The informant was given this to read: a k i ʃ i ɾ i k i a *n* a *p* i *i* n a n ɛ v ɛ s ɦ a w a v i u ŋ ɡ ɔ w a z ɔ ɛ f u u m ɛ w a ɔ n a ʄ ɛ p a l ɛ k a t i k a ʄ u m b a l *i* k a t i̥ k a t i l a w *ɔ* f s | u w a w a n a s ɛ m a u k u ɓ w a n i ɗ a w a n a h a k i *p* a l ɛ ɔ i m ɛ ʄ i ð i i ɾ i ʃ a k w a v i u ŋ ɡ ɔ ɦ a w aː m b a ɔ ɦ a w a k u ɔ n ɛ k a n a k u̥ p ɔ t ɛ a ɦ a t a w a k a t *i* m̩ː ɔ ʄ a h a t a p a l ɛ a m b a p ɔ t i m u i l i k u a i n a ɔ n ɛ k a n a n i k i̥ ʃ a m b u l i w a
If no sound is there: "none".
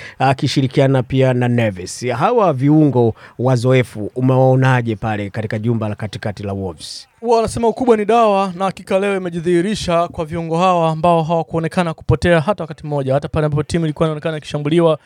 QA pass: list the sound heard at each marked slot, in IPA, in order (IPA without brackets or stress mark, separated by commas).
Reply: n, p, a, a, ɔ, k, i